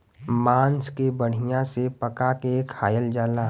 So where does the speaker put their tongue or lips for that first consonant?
lips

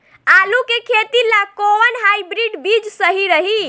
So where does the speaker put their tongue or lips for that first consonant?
tongue tip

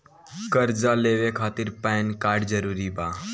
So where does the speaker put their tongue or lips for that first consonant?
velum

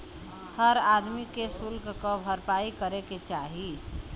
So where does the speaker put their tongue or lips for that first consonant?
throat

